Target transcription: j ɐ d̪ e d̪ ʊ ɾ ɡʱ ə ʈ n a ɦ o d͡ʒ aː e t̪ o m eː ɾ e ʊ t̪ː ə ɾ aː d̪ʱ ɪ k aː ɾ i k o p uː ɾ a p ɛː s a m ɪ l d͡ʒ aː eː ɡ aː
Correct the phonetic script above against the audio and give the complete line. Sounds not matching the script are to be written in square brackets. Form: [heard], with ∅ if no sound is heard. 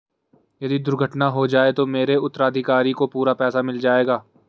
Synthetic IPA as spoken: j ɐ d̪ [i] d̪ ʊ ɾ ɡʱ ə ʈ n a ɦ o d͡ʒ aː e t̪ o m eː ɾ e ʊ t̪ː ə ɾ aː d̪ʱ ɪ k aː ɾ i k o p uː ɾ a p ɛː s a m ɪ l d͡ʒ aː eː ɡ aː

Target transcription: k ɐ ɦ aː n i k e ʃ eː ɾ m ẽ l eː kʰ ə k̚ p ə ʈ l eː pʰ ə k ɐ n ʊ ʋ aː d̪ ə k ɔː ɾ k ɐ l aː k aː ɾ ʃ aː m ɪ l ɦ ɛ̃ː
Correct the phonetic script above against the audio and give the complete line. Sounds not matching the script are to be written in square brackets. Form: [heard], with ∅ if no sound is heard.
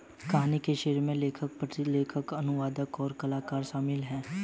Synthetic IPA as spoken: k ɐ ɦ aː n i k e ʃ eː ɾ m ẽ l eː kʰ ə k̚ p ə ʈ l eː [kʰ] ə k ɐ n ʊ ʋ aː d̪ ə k ɔː ɾ k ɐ l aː k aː ɾ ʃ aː m ɪ l ɦ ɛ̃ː

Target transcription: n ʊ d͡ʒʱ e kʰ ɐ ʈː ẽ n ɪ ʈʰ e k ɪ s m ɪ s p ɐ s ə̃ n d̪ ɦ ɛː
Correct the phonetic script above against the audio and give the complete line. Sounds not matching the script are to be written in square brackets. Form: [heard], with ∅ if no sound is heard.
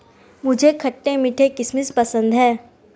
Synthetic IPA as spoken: [m] ʊ d͡ʒʱ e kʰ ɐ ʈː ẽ [m] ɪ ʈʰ e k ɪ s m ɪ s p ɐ s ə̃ n d̪ ɦ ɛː

